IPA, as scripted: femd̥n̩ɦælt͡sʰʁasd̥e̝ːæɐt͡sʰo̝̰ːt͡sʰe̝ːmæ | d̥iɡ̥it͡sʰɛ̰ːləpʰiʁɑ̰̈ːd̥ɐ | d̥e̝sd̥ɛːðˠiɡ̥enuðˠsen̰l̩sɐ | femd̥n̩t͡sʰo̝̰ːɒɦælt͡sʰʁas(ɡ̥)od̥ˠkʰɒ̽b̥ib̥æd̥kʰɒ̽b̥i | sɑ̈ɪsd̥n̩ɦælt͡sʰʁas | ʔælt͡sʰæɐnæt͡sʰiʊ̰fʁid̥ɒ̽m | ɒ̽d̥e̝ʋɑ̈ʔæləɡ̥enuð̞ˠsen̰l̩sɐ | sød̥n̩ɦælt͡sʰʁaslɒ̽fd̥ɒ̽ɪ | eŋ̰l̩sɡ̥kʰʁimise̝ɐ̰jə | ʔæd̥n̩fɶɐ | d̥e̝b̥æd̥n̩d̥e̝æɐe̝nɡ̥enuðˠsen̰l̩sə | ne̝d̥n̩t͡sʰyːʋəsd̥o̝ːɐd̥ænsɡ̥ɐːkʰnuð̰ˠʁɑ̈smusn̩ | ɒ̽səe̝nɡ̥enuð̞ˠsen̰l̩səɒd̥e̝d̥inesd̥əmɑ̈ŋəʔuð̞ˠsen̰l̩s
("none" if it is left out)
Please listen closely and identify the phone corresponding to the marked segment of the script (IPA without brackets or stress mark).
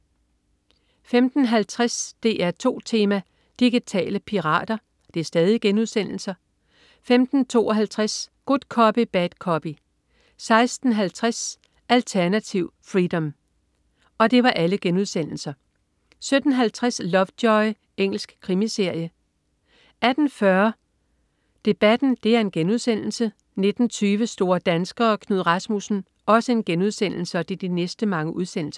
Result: ɡ̥